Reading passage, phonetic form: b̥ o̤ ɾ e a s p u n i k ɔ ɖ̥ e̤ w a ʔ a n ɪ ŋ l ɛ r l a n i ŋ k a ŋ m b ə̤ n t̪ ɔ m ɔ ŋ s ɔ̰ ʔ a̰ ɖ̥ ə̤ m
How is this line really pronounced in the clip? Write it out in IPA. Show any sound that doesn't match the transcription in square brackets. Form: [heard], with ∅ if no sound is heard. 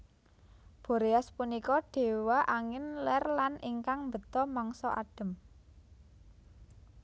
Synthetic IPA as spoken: b̥ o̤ ɾ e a s p u n i k ɔ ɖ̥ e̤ w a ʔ a [ŋ] ɪ [n] l ɛ r l a n i ŋ k a ŋ m b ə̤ [∅] t̪ ɔ m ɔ ŋ s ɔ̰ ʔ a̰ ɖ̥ ə̤ m